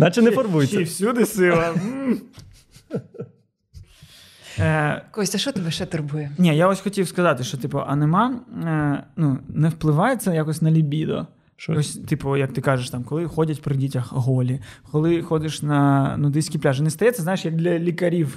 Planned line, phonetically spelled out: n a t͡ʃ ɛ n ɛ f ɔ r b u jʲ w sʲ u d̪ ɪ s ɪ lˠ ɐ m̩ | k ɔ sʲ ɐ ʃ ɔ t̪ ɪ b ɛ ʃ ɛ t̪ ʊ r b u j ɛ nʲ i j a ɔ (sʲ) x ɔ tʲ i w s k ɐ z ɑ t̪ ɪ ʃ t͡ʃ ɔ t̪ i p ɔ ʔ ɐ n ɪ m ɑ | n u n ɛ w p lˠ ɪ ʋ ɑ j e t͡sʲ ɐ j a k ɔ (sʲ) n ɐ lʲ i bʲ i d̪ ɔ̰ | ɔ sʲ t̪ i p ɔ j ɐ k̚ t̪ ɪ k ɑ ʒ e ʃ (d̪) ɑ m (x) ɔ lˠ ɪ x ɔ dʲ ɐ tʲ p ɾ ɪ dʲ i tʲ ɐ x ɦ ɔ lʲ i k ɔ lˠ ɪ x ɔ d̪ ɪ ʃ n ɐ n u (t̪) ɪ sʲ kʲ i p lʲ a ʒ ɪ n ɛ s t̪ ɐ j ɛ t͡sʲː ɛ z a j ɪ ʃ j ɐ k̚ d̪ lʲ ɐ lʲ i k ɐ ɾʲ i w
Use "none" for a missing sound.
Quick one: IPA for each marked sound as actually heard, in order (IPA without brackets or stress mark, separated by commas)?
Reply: sʲ, sʲ, t̪, k, d̪